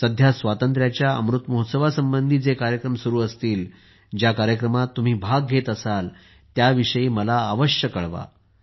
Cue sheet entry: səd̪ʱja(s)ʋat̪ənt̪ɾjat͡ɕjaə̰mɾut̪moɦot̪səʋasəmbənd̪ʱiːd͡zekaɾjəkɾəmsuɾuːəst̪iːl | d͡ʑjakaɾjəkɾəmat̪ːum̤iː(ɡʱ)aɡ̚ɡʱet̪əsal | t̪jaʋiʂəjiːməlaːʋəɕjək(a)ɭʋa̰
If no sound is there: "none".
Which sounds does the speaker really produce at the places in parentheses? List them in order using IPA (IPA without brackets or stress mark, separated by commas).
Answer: s, bʱ, ə